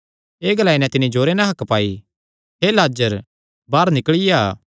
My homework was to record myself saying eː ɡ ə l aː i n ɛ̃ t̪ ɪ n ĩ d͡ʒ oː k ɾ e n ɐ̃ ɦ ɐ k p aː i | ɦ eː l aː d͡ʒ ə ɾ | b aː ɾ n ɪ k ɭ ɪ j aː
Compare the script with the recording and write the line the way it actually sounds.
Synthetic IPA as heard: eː ɡ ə l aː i n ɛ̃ t̪ ɪ n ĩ d͡ʒ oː ɾ e n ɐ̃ ɦ ɐ k p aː i | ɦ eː l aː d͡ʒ ə ɾ | b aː ɾ n ɪ k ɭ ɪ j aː